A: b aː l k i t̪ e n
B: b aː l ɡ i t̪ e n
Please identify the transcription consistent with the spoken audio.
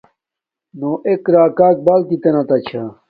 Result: A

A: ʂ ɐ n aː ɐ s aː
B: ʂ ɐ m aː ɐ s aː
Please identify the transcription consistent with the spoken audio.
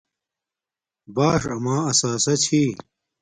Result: B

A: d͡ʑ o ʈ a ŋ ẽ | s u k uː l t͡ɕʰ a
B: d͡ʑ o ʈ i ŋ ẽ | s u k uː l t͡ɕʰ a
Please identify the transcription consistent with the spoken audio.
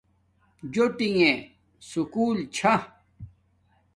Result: B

